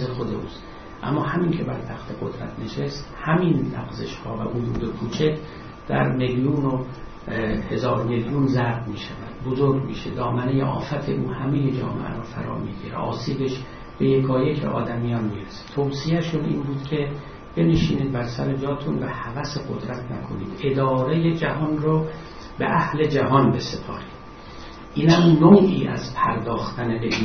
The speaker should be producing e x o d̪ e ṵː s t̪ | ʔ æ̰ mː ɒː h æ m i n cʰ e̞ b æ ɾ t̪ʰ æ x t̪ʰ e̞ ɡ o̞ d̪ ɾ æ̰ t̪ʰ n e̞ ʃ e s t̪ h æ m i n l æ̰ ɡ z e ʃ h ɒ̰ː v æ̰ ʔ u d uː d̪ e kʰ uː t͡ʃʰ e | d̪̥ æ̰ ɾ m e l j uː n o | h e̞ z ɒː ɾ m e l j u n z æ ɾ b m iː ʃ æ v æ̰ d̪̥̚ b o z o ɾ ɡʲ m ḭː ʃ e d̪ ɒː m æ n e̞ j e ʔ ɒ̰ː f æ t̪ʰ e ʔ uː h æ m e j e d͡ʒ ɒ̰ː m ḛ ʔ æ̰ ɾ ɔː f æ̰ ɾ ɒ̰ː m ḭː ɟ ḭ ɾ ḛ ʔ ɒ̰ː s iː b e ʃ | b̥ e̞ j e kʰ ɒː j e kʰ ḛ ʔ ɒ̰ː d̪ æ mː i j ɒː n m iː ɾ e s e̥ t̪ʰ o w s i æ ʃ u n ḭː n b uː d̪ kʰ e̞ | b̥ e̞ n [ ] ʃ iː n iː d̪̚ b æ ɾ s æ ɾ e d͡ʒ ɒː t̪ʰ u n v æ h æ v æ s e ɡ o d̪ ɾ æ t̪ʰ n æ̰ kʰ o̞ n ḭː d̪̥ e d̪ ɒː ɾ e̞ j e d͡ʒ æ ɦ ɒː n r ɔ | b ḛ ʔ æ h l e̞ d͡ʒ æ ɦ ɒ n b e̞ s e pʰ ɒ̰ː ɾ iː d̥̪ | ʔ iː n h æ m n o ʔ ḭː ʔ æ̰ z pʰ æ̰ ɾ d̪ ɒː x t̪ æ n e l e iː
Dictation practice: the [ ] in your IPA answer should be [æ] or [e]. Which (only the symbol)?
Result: e